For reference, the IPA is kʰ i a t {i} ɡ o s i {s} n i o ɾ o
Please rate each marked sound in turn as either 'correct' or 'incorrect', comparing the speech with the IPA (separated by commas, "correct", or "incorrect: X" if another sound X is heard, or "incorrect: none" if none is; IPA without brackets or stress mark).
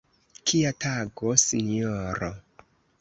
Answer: incorrect: a, incorrect: none